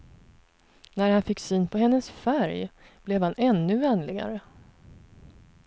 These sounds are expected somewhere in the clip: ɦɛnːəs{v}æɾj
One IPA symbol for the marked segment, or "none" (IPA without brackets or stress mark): f